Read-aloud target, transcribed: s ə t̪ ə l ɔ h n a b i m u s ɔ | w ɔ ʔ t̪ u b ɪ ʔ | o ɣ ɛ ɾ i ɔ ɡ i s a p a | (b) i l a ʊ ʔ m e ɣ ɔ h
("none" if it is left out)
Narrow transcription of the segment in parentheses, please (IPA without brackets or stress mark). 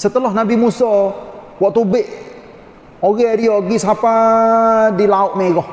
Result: d